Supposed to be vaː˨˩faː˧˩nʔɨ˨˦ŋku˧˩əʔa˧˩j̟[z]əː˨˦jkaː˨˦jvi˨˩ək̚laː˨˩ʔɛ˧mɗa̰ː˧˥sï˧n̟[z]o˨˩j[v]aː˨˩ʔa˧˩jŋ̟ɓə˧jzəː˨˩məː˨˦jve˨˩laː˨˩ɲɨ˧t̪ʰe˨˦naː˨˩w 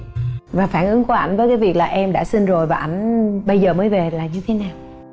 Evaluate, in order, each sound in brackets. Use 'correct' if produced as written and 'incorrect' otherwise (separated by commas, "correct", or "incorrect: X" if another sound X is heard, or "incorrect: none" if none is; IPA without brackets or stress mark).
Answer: incorrect: v, correct, correct